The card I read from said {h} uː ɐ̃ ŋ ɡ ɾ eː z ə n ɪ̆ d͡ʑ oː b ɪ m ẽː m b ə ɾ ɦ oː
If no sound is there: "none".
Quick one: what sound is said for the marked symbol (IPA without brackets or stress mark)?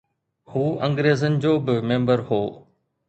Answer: h